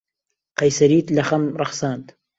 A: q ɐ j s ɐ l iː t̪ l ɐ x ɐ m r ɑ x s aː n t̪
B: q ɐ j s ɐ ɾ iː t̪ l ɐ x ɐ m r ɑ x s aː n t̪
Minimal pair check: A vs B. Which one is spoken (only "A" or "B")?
B